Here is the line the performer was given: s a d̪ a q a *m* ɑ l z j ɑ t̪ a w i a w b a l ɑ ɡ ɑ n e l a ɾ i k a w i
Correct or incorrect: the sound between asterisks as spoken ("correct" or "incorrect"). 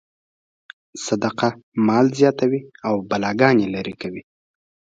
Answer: correct